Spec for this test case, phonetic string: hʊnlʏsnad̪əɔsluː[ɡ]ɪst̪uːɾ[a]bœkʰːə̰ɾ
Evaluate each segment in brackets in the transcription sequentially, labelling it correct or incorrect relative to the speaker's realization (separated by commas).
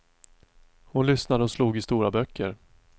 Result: correct, correct